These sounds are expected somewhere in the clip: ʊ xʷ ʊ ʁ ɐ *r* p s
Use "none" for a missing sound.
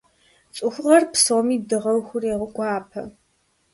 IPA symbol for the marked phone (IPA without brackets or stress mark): r